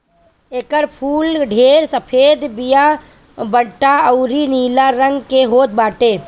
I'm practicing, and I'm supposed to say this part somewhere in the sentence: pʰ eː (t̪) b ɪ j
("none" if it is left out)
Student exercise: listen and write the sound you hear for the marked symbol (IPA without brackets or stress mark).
d̪